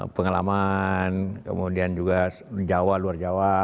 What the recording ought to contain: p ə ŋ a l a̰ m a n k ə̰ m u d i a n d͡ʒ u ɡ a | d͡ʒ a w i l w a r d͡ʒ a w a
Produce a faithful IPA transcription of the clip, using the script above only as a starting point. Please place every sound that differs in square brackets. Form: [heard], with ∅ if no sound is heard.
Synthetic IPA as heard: p ə ŋ a l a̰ m a n k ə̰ m u d i a n d͡ʒ u ɡ a | d͡ʒ a w [a] l [u] a r d͡ʒ a w a